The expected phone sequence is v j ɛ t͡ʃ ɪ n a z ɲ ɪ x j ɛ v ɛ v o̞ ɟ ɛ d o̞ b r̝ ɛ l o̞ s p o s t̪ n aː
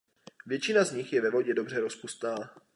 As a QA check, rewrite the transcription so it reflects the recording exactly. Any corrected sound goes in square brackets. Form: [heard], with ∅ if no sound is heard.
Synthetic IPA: v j ɛ t͡ʃ ɪ n a z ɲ ɪ x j ɛ v ɛ v o̞ ɟ ɛ d o̞ b r̝ ɛ [ɾ] o̞ s p [u] s t̪ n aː

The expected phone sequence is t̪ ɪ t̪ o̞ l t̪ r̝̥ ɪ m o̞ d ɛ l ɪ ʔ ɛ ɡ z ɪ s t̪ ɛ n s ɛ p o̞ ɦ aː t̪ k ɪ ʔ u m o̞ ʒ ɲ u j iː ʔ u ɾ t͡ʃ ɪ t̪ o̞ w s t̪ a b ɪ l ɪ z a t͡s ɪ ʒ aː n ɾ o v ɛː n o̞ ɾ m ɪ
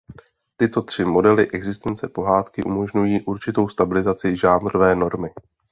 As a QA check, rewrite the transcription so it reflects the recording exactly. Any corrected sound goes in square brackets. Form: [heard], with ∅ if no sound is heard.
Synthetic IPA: t̪ ɪ t̪ o̞ [∅] t̪ r̝̥ ɪ m o̞ d ɛ l ɪ ʔ ɛ ɡ z ɪ s t̪ ɛ n [t͡s] ɛ p o̞ ɦ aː t̪ k ɪ ʔ u m o̞ ʒ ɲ u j iː ʔ u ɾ t͡ʃ ɪ t̪ o̞ w s t̪ a b ɪ l ɪ z a t͡s ɪ ʒ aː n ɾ o v ɛː n o̞ ɾ m ɪ

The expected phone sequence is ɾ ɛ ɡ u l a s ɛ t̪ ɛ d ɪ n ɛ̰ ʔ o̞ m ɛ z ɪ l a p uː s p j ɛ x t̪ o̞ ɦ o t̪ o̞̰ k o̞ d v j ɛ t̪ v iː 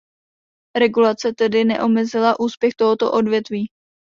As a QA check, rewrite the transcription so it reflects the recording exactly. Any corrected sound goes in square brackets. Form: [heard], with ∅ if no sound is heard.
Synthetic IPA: ɾ ɛ ɡ u l a [t͡s] ɛ t̪ ɛ d ɪ n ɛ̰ ʔ o̞ m ɛ z ɪ l a [ʔ] uː s p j ɛ x t̪ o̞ ɦ o t̪ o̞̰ [ʔ] o̞ d v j ɛ t̪ v iː

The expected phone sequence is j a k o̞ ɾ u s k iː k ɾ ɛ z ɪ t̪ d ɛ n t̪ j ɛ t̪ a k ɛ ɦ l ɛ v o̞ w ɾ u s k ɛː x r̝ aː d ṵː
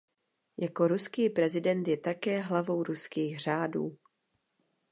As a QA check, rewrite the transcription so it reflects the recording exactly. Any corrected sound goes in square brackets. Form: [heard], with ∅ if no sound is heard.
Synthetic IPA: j a k o̞ ɾ u s k iː [p] ɾ ɛ z ɪ [∅] d ɛ n t̪ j ɛ t̪ a k [ɛː] ɦ l [a] v o̞ w ɾ u s k [iː] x r̝ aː d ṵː

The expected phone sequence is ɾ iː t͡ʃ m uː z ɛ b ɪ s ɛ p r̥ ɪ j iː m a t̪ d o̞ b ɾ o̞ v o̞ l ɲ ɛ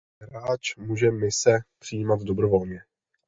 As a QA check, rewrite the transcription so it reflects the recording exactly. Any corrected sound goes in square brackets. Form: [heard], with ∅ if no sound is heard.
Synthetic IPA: ɾ [aː] t͡ʃ m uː [ʒ] ɛ [m] ɪ s ɛ p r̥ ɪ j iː m a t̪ d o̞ b ɾ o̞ v o̞ l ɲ ɛ

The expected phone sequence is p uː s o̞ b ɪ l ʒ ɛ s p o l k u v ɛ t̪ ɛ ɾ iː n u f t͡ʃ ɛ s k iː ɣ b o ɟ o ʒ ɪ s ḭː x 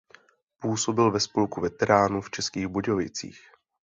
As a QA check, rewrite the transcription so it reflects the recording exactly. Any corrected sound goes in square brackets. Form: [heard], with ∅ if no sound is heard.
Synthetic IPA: p uː s o̞ b ɪ l [v] ɛ s p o l k u v ɛ t̪ ɛ ɾ [aː] n u f t͡ʃ ɛ s k iː ɣ b o ɟ o [v] ɪ [t͡s] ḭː x

